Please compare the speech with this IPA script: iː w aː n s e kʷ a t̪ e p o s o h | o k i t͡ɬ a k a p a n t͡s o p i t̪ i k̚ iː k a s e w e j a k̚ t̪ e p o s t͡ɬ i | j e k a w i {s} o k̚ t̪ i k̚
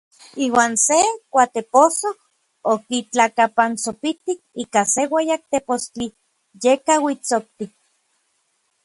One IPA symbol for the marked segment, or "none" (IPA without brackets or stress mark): t͡s